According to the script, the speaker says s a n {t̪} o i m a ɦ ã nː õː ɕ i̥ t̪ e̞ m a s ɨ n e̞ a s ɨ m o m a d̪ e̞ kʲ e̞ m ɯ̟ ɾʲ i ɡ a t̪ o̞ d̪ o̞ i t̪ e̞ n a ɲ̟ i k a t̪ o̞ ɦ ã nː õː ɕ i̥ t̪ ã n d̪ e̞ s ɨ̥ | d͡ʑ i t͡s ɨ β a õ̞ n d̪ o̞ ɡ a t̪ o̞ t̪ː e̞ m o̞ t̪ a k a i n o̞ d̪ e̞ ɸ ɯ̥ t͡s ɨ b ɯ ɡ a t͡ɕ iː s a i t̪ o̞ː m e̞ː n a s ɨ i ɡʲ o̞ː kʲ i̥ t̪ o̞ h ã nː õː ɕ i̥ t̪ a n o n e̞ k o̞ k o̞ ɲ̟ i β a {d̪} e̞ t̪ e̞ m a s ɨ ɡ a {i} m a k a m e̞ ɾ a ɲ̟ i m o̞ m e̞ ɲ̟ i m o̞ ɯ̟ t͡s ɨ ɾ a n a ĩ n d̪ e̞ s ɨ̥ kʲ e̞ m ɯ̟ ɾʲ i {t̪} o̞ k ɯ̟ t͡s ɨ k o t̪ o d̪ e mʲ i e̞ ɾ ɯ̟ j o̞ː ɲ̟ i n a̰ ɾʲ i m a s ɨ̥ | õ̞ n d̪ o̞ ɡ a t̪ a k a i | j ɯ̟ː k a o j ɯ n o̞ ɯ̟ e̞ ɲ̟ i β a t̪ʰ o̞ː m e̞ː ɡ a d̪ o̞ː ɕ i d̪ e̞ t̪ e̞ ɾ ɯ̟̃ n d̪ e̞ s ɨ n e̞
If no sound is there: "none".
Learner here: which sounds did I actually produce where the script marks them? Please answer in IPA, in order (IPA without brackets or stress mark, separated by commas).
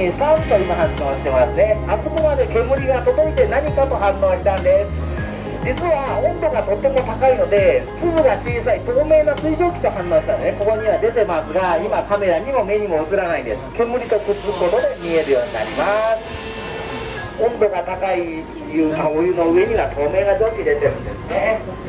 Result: t̪, d̪, i, t̪